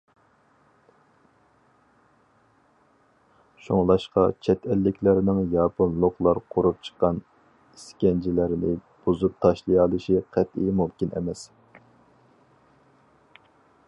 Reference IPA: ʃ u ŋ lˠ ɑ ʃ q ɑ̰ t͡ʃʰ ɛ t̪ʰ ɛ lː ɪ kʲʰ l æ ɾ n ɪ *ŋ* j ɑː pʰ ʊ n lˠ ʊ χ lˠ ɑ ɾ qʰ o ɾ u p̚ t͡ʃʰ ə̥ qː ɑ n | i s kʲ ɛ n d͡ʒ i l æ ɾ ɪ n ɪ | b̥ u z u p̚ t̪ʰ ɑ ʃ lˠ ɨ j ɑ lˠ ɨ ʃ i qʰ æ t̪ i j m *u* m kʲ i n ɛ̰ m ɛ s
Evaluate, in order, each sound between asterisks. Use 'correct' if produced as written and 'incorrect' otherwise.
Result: correct, correct

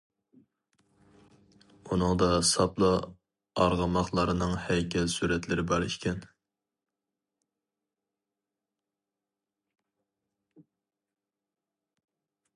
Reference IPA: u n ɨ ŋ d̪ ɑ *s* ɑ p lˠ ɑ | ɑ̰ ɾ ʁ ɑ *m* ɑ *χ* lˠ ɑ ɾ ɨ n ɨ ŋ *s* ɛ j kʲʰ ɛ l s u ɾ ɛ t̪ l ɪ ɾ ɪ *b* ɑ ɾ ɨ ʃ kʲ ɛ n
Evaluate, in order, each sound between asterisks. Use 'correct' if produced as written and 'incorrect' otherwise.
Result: correct, correct, correct, incorrect, correct

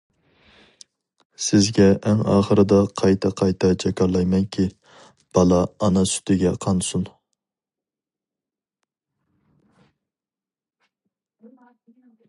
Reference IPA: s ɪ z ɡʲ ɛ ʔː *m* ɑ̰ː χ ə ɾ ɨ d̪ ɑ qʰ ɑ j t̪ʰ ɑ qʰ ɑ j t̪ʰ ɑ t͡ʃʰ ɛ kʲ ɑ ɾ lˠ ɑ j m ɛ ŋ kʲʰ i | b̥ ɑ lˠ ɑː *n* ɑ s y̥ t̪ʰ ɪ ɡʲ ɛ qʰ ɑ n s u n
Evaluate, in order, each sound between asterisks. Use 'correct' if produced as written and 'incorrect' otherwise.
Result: incorrect, correct

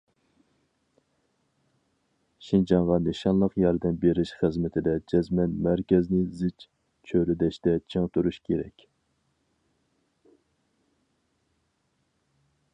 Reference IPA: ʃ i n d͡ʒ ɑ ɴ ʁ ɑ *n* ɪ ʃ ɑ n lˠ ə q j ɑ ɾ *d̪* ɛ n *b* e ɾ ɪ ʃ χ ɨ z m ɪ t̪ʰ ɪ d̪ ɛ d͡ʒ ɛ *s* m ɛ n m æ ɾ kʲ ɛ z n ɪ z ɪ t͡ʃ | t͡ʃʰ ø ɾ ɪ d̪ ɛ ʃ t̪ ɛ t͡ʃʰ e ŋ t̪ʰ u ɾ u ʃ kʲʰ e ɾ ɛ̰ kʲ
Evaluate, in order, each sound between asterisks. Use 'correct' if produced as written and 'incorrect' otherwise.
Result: correct, correct, correct, incorrect

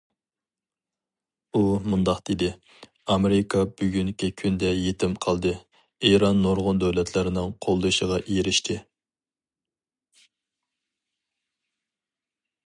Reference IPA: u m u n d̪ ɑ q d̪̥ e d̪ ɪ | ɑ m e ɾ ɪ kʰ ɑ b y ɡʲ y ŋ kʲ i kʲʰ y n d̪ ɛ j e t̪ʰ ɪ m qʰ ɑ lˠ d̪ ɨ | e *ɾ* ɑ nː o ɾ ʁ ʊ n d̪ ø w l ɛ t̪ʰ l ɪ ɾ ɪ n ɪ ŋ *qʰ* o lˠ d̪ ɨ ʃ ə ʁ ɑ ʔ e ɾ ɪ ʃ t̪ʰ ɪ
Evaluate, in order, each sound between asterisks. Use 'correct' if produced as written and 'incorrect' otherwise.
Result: correct, correct

